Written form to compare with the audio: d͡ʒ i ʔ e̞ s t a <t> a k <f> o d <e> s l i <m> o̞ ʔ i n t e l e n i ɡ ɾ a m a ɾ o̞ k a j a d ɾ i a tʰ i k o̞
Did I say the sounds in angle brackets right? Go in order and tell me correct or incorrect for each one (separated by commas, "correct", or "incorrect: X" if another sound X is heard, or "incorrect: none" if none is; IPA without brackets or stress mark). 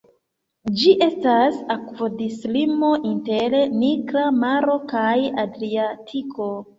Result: incorrect: s, incorrect: v, incorrect: i, correct